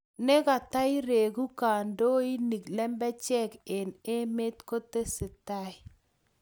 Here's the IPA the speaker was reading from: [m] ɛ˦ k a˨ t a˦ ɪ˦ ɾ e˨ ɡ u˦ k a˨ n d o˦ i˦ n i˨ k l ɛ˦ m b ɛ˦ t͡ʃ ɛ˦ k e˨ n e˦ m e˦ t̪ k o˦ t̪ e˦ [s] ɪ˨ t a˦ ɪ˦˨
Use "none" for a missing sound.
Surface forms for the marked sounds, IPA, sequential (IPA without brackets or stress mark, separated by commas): n, s